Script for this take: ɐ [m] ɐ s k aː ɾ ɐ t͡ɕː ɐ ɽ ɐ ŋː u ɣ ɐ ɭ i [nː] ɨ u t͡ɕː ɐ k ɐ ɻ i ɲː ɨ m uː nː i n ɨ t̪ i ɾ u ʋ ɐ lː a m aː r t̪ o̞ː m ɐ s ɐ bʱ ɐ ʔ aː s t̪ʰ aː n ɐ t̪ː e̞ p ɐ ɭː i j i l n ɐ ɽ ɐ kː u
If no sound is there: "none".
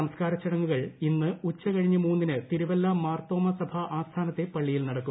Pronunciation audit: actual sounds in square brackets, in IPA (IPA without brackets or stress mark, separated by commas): m, nː